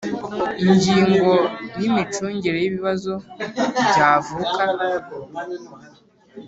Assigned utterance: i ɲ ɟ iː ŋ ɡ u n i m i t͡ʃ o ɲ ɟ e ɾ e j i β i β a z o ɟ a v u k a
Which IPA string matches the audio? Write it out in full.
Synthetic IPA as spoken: i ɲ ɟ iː ŋ ɡ o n i m i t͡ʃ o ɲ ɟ e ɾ e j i β i β a z o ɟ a v u k a

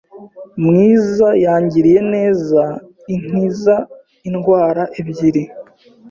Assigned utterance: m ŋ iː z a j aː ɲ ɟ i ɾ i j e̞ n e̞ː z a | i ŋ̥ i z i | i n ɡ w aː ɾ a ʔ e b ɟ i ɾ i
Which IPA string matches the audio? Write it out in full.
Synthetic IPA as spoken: m ŋ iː z a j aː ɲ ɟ i ɾ i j e̞ n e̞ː z a | i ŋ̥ i z a | i n ɡ w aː ɾ a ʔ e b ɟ i ɾ i

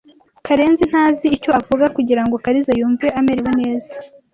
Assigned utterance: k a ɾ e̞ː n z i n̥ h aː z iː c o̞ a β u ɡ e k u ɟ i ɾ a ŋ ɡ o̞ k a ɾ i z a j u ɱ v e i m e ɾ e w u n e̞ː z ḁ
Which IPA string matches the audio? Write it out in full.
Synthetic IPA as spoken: k a ɾ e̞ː n z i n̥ h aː z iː c o̞ a v u ɡ a k u ɟ i ɾ a ŋ ɡ o̞ k a ɾ i z a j uː ɱ v e a m e ɾ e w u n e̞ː z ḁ

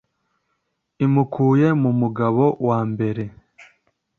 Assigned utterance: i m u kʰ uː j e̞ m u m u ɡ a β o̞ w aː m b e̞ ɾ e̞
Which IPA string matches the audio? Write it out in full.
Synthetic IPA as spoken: i m u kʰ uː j e̞ m u m u ɡ a β o̞ w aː m b e̞ ɾ e̞

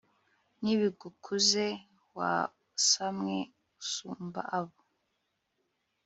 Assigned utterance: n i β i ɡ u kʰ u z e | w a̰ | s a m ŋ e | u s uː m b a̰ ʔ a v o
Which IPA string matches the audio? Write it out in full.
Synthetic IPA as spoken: n i β i ɡ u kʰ u z e | w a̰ | s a m ŋ e | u s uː m b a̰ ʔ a β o

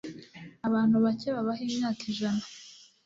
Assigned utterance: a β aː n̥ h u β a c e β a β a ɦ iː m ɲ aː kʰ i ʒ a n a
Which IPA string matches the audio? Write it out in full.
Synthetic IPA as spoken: a β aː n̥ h u β a c e β a β a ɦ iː m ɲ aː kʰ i ʒ a n a

